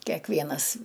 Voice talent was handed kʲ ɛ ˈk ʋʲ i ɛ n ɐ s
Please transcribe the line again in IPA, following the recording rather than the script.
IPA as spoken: kʲ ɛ ˈk ʋʲ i ɛ n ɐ s